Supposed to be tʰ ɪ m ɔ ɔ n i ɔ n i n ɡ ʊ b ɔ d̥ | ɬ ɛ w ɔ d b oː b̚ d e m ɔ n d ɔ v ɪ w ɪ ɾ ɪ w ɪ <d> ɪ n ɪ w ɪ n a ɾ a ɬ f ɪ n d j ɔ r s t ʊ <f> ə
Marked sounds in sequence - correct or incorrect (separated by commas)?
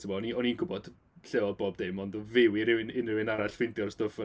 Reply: incorrect, correct